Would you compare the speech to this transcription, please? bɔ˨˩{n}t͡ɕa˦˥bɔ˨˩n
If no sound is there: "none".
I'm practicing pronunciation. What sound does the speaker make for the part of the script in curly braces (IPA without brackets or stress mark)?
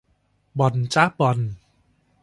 n